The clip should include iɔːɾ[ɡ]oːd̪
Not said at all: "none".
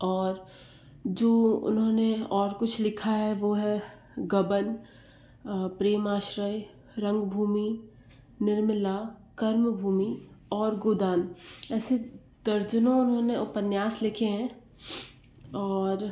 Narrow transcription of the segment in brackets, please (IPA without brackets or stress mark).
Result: ɡ